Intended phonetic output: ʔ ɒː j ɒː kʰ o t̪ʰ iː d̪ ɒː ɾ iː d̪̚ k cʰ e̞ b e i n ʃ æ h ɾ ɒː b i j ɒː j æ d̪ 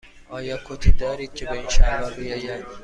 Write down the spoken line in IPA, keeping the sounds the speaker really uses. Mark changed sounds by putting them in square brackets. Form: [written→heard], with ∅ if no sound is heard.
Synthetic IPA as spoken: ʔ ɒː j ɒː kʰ o t̪ʰ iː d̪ ɒː ɾ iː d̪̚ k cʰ e̞ b e i n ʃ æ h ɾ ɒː b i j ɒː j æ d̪